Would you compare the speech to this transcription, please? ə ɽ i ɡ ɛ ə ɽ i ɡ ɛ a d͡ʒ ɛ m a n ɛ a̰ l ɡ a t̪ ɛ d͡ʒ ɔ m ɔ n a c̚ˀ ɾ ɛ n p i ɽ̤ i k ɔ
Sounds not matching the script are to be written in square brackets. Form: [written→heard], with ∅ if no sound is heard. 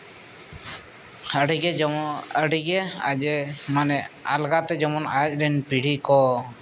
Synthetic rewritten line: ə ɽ i ɡ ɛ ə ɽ i ɡ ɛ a d͡ʒ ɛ m a n ɛ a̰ l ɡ a t̪ ɛ d͡ʒ ɔ m ɔ n a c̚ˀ ɾ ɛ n p i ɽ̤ i k ɔ